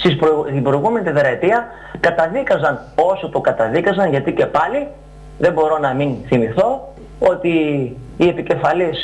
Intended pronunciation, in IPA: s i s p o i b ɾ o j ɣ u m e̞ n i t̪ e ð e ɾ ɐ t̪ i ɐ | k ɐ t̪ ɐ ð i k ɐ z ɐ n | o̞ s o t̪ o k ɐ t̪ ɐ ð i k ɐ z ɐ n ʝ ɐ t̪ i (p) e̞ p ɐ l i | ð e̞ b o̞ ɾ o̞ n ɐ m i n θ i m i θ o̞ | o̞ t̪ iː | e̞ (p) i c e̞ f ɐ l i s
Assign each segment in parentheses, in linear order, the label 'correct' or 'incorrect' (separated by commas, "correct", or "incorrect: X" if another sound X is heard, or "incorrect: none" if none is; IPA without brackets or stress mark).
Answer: incorrect: c, correct